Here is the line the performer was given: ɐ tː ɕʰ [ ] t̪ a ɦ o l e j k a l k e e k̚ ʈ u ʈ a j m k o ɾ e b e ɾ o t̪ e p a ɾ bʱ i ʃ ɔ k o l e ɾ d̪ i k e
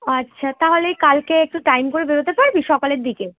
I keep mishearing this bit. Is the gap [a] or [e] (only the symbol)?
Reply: a